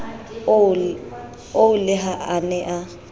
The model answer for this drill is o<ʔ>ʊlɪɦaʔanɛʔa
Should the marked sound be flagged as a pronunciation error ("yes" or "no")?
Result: yes